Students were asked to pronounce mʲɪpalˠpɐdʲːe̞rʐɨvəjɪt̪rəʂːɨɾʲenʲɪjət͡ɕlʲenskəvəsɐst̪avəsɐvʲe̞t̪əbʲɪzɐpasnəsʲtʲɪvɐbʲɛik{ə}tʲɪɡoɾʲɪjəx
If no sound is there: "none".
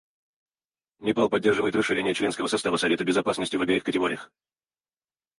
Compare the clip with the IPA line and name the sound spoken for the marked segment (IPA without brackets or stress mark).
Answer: ə